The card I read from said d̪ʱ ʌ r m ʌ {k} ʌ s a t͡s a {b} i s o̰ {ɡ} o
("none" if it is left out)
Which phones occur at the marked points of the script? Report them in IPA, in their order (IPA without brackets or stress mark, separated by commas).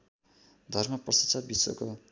p, b, k